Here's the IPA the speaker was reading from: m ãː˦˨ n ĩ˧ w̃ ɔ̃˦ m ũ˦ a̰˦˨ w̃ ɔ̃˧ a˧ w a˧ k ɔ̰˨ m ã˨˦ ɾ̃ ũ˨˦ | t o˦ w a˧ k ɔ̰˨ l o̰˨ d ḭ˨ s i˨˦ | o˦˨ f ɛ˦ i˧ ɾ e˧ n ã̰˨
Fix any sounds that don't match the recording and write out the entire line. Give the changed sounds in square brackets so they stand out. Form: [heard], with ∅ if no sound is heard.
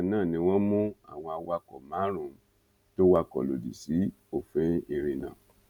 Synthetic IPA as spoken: [n] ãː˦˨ n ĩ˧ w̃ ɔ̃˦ m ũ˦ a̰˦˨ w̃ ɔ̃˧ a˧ w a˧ k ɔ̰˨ m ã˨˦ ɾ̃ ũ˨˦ | t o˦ w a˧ k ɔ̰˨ l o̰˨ d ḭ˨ s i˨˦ | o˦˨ f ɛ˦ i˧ ɾ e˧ n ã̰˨